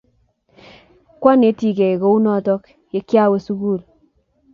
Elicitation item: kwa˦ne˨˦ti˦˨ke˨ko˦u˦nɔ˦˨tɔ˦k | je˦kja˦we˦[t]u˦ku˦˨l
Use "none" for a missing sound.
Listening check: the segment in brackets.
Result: s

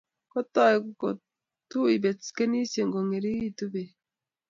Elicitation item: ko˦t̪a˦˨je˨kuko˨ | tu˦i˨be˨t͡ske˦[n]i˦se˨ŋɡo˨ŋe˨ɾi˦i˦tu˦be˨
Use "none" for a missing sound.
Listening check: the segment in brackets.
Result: n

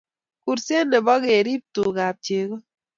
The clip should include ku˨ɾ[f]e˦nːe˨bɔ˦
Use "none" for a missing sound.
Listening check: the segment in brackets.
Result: s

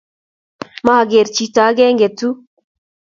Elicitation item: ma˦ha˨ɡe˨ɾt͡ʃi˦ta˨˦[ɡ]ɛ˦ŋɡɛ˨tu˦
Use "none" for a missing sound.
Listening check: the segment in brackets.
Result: ɡ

